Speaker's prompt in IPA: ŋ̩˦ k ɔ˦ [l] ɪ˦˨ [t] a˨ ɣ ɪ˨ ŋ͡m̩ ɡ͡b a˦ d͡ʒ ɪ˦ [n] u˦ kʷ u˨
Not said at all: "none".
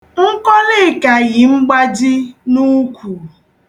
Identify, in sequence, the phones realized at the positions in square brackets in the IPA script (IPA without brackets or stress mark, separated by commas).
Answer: l, k, n